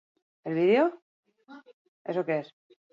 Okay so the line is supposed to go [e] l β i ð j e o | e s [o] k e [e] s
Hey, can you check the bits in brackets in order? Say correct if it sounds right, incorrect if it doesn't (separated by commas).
correct, correct, correct